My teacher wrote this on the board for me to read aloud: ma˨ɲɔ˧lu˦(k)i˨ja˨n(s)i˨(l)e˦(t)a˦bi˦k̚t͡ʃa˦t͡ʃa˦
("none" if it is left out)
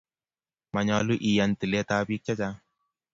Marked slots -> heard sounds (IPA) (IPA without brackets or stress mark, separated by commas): ʔ, t, l, t